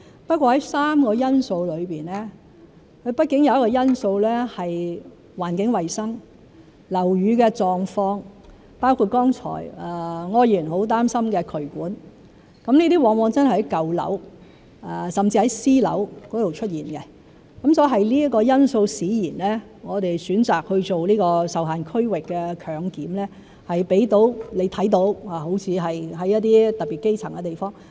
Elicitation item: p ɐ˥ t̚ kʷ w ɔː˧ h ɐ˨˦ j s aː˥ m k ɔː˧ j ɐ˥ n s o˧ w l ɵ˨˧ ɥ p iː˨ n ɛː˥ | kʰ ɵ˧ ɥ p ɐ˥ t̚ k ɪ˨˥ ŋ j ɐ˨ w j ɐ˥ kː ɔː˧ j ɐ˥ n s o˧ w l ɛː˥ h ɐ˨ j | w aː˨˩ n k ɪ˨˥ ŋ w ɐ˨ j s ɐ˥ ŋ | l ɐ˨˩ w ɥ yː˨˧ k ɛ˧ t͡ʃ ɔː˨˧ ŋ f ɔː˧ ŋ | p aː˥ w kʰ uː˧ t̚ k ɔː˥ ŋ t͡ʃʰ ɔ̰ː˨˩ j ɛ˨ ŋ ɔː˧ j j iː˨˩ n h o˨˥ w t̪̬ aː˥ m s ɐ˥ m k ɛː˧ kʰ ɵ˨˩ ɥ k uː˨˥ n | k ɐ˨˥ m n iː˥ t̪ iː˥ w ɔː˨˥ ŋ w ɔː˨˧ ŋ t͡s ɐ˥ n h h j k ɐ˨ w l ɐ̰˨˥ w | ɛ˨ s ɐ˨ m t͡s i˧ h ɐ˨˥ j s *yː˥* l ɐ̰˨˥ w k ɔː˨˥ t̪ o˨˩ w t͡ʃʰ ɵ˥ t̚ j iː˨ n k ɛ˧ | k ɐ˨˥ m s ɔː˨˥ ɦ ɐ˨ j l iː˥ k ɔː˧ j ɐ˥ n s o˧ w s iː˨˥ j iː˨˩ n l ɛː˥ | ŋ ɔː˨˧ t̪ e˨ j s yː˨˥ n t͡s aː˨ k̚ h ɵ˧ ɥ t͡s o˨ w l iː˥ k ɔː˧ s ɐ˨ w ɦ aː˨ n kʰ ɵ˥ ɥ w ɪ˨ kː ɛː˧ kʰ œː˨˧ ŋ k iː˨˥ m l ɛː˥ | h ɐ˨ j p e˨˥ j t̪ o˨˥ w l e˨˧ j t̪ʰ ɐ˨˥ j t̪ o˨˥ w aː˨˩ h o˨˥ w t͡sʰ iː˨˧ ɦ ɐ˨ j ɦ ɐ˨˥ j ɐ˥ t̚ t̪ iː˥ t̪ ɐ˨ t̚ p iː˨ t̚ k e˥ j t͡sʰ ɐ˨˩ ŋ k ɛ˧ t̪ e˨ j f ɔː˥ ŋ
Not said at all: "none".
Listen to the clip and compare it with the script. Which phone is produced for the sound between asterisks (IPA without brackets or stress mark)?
iː˥